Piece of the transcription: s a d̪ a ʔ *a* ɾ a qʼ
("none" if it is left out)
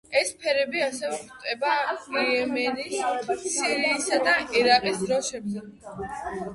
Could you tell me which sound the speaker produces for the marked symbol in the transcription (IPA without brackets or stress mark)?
ɛ